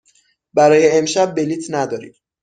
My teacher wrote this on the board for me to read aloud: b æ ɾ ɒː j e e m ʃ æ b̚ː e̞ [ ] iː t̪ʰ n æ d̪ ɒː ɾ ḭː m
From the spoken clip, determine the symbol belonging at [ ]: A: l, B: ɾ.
A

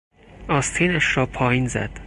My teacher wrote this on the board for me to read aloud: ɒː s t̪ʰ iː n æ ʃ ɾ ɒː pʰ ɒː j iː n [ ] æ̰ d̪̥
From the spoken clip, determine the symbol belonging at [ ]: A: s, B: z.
B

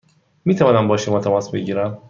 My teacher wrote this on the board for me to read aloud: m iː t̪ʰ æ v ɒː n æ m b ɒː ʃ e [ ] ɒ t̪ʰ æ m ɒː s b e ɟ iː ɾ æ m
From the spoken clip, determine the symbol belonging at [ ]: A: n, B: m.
B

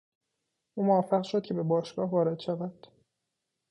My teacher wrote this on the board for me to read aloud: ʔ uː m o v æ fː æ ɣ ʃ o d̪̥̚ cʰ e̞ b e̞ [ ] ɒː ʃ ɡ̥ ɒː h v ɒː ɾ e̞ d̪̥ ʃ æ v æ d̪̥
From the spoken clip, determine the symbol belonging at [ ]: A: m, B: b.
B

